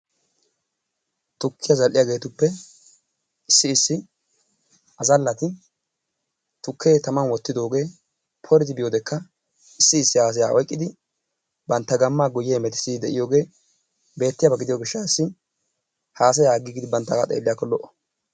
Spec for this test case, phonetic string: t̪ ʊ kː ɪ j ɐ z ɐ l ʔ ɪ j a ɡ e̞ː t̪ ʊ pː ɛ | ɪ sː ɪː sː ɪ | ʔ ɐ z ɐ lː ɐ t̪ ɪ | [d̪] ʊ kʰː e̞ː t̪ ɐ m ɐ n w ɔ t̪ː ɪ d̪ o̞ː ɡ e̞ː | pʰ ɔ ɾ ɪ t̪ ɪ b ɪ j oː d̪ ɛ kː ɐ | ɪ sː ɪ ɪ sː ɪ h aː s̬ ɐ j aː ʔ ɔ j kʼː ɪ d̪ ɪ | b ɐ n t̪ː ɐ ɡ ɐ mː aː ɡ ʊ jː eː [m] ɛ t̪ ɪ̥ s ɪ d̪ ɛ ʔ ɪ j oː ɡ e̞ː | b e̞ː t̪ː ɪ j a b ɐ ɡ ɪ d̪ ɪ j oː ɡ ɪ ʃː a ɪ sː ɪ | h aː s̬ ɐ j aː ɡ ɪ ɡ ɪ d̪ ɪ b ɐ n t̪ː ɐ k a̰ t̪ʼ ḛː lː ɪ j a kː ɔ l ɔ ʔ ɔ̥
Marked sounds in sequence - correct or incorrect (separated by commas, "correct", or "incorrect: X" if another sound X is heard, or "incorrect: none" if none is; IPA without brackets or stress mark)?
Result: incorrect: t̪, correct